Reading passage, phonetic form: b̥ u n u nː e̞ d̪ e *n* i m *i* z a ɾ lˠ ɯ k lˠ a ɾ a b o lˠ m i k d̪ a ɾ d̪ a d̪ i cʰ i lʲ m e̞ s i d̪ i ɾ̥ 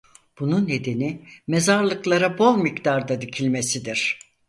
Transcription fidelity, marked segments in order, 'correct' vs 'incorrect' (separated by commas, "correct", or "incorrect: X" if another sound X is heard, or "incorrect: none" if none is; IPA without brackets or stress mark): correct, incorrect: e